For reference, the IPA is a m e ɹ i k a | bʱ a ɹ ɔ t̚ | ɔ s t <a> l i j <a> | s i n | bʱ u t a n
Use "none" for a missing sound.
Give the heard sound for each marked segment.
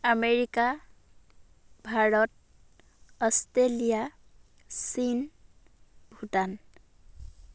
e, a

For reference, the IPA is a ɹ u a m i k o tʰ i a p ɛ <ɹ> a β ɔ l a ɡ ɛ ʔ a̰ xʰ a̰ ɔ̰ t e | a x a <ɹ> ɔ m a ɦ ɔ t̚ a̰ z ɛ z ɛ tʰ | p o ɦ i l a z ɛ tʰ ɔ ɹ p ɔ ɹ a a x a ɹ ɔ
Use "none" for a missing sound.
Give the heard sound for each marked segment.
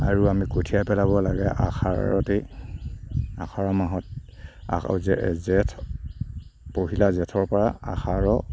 l, ɹ

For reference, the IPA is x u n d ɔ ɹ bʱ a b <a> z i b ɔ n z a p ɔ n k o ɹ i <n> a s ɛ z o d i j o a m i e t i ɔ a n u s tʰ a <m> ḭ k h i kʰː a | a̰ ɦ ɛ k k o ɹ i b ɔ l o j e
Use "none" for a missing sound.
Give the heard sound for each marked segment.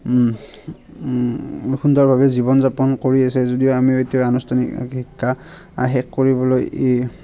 ɛ, none, n

